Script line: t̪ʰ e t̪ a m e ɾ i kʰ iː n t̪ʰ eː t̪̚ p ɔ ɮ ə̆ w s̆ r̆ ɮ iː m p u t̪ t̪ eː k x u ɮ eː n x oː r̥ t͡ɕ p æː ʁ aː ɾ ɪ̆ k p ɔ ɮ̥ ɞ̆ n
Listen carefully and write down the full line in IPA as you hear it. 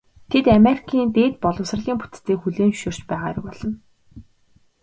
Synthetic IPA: t̪ʰ e t̪ a m e ɾ i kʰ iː n t̪ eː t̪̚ p ɔ ɮ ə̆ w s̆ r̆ ɮ iː m p u t̪ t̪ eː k x u ɮ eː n ʃ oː r̥ t͡ɕ p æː ʁ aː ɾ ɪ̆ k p ɔ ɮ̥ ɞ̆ n

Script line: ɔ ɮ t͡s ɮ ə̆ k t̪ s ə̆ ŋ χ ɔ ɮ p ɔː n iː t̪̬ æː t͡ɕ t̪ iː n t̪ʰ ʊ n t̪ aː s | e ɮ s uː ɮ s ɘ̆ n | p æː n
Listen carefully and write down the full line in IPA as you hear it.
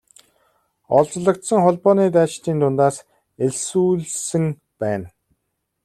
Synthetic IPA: ɔ ɮ t͡s ɮ ə̆ k t̪ s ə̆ ŋ χ ɔ ɮ p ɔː n iː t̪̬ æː t͡ɕ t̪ iː n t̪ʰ ʊ n t̪ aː s | e ɮ s uː ɮ s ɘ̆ ŋ | p æː n

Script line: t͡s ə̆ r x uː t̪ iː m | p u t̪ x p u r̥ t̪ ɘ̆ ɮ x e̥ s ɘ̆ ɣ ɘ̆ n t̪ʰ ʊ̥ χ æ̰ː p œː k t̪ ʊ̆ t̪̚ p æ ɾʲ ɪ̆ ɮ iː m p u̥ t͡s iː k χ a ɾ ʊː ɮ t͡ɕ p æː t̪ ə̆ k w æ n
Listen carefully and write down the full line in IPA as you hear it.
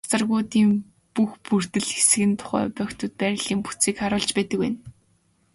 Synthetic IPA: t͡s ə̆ r ɣ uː t̪ iː m | p u x p u r̥ t̪ ɘ̆ ɮ x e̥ s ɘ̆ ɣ ɘ̆ n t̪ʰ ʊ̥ χ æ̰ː p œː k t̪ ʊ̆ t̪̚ p æ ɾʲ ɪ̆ ɮ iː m p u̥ t͡s iː k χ a ɾ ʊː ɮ t͡ɕ p æː t̪ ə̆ k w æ n

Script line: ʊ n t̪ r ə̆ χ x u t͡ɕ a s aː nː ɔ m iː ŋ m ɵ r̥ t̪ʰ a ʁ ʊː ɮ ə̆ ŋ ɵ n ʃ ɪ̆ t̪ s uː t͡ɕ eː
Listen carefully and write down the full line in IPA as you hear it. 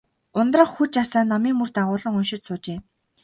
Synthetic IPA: ʊ n t̪ r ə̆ χ x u t͡ɕ a s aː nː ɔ m iː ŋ m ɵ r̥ t̪ a ʁ ʊː ɮ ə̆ ŋ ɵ n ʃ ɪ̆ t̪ s ʊː t͡ɕ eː

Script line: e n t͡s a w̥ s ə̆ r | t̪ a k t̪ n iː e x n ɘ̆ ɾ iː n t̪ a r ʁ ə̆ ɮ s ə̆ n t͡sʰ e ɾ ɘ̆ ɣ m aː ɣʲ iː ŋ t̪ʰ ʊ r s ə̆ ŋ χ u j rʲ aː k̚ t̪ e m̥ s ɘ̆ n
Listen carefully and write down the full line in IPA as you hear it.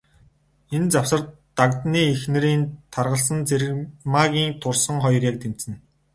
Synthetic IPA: e n t͡s a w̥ s ə̆ r | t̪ a k t̪ n iː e x n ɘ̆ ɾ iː n t̪ʰ a r ʁ ə̆ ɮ s ə̆ n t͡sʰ e ɾ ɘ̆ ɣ m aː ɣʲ iː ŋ t̪ʰ ʊ r s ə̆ ŋ χ ɔ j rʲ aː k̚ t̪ e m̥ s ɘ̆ n

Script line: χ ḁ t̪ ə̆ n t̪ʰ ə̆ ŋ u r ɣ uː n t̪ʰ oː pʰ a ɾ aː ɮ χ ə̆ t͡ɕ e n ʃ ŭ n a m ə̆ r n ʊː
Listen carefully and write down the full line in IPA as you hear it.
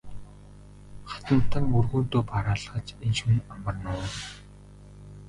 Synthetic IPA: χ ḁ t̪ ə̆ n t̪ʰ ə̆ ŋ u r ɣ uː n t̪ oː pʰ a ɾ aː ɮ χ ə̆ t͡ɕ e n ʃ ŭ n a m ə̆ r n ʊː

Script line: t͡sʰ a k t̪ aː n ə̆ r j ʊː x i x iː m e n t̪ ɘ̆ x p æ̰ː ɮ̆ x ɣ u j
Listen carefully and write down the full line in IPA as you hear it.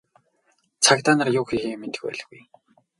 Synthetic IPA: t͡sʰ a k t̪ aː n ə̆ r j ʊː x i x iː m e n t̪ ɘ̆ x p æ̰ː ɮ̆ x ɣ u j

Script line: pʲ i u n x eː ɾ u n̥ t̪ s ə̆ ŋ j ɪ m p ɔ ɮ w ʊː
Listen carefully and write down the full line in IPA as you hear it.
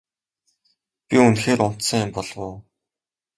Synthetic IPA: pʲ i u n x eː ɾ ʊ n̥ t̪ s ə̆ ŋ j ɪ m p ɔ ɮ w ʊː

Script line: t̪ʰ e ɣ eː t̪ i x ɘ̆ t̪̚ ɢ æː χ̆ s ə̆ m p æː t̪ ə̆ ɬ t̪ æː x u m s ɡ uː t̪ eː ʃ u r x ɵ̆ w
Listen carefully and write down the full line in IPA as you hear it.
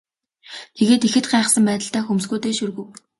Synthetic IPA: t̪ʰ e ɣ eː t̪ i x ɘ̆ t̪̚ ɢ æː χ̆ s ə̆ m p æː t̪ ə̆ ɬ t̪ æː x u m s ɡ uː t̪ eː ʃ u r ɣ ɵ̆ w

